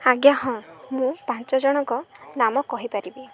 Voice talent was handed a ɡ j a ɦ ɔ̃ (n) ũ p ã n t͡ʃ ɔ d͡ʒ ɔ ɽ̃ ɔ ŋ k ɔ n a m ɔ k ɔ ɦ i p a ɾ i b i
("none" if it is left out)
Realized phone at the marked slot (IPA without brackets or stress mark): m